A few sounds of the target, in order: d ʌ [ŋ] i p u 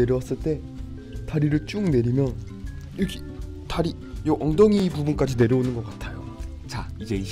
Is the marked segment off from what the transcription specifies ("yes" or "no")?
no